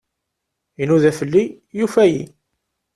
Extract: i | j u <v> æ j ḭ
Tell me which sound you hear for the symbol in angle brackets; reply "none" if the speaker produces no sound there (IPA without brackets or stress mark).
f